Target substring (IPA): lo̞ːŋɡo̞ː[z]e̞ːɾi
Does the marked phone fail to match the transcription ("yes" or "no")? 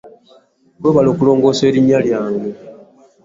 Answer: yes